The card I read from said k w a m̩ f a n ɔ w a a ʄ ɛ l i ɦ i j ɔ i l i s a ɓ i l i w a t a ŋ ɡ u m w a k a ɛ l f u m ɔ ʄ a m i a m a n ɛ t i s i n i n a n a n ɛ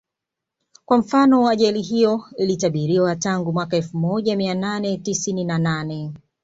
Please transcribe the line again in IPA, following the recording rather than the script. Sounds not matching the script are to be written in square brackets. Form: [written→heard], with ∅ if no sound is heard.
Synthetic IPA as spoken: k w a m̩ f a n ɔ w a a ʄ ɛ l i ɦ i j ɔ i l i [s→t] a ɓ i [l→ɾ] i w a t a ŋ ɡ u m w a k a ɛ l f u m ɔ ʄ a m i a [m→n] a n ɛ t i s i n i n a n a n ɛ